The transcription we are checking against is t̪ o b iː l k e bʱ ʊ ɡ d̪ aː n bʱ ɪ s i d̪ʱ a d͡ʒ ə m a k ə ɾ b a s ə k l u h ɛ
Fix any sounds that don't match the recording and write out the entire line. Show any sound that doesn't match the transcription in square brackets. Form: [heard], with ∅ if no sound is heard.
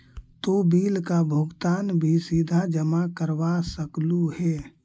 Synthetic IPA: t̪ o b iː l k [a] bʱ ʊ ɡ [t̪] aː n bʱ [i] s i d̪ʱ a d͡ʒ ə m a k ə ɾ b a s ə k l u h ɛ